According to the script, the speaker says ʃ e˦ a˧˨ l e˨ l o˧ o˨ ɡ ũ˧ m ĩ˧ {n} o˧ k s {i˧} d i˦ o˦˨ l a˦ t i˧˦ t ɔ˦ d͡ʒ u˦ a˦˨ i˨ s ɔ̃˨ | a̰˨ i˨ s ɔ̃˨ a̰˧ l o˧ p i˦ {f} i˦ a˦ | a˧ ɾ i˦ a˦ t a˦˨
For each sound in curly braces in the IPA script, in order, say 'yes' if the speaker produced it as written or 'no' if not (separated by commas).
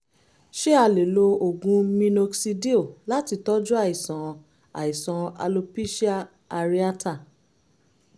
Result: yes, yes, no